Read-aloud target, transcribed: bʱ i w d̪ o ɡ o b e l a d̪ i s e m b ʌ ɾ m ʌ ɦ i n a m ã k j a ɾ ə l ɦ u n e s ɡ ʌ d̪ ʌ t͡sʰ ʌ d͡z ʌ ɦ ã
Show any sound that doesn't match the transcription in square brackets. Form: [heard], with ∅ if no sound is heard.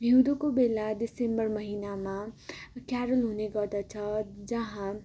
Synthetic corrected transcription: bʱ i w d̪ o [k] o b e l a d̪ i s e m b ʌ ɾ m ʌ ɦ i n a m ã k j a ɾ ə l ɦ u n e [∅] ɡ ʌ d̪ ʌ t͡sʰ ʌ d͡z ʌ ɦ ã